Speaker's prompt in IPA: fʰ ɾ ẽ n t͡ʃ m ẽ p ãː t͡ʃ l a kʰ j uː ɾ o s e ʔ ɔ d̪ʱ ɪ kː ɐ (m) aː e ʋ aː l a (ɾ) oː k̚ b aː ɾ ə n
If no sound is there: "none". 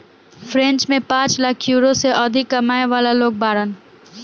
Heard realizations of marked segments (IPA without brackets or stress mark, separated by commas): m, l